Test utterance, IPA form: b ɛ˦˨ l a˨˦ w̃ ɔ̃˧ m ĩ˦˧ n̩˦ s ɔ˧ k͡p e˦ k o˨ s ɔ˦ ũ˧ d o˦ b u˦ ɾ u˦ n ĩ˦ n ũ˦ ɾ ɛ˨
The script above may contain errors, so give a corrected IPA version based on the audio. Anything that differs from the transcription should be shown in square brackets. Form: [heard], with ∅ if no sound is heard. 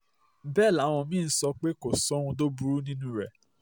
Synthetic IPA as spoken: b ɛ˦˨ l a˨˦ w̃ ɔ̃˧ m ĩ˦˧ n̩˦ s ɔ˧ k͡p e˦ k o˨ s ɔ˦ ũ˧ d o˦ b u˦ ɾ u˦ n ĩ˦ n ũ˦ ɾ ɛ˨